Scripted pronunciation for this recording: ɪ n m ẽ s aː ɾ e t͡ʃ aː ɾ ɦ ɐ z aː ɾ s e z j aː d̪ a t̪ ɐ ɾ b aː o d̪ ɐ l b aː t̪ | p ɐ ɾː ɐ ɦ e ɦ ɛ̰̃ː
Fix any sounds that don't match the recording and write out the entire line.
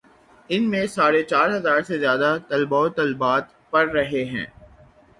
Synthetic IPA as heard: ɪ n m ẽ s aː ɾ e t͡ʃ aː ɾ ɦ ɐ z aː ɾ s e z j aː d̪ a t̪ ɐ l b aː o t̪ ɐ l b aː t̪ | p ɐ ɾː ɐ ɦ e ɦ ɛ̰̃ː